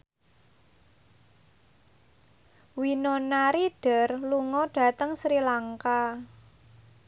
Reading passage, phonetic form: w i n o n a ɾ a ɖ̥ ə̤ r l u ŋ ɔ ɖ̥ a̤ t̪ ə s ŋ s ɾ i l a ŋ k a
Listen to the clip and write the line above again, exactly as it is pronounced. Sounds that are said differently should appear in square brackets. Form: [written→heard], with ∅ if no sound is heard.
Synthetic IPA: w i n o n a ɾ [a→i] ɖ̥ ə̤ r l u ŋ ɔ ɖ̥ a̤ t̪ ə [s→∅] ŋ s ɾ i l a ŋ k a